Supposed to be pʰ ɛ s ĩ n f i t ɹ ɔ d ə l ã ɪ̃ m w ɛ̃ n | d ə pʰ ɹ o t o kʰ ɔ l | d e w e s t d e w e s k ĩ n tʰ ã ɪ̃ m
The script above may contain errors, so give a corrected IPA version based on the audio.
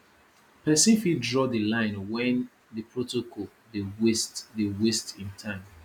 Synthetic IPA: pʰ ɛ s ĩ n f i d ɹ ɔ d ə l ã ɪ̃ n w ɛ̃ n | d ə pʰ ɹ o t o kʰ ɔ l | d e w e s t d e w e s t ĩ n tʰ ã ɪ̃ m